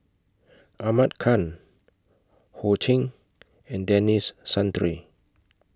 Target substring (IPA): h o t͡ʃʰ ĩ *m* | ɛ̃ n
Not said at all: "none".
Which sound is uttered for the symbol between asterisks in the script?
ŋ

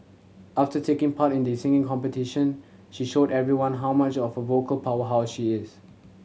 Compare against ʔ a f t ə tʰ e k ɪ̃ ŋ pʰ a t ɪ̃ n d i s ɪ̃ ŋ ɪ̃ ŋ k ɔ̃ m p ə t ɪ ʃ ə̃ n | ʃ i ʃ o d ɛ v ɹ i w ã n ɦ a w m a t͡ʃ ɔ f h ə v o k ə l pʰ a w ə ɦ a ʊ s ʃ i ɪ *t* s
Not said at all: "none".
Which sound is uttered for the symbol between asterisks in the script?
none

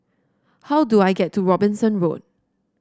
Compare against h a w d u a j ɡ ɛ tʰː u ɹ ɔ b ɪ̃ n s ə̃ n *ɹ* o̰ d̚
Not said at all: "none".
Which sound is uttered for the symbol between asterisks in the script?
ɹ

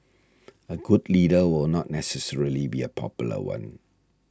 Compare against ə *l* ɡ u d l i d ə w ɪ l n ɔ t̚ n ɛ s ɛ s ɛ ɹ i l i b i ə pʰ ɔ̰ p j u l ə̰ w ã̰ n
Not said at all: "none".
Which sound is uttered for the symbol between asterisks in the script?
none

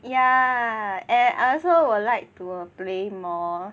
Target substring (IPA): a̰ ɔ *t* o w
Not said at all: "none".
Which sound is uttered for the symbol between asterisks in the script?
s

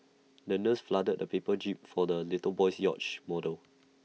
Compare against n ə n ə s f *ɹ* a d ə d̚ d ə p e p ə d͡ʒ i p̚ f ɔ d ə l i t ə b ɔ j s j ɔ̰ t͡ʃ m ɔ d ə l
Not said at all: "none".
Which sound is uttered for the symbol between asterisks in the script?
l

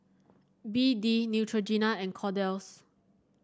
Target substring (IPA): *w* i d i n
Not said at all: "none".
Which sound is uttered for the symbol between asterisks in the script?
b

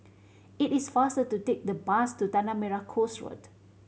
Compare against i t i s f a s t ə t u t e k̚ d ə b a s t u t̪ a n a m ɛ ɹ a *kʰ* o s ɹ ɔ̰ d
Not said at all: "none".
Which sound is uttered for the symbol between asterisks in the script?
kʰ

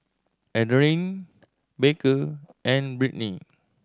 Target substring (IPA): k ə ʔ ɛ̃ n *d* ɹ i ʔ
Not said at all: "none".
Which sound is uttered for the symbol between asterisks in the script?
b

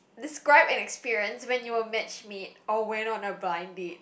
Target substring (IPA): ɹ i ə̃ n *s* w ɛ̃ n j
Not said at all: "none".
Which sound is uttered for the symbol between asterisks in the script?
s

